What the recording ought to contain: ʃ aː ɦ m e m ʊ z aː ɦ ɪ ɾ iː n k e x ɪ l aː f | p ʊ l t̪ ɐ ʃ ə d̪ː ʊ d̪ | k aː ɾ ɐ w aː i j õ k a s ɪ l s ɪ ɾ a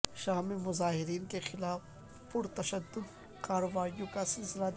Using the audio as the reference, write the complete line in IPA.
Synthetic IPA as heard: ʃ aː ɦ m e m ʊ z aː ɦ ɪ ɾ iː n k e x ɪ l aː f | p ʊ ɾ t̪ ɐ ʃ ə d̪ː ʊ d̪ | k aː ɾ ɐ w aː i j õ k a s ɪ l s ɪ l a